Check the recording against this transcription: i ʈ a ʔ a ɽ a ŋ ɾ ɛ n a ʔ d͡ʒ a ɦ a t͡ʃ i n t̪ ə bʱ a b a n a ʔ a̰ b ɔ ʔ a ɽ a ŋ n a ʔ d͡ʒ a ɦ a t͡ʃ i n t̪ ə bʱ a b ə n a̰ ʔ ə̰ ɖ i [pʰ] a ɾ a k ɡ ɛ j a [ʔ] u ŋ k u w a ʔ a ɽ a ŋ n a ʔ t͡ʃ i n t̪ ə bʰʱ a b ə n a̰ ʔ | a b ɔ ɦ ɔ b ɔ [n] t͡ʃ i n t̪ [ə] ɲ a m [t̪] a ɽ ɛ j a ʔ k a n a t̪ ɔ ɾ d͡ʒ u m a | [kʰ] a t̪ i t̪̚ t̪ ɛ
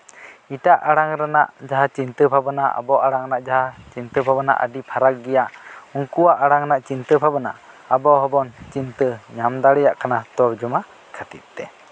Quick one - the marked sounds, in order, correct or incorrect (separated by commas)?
correct, correct, correct, correct, incorrect, correct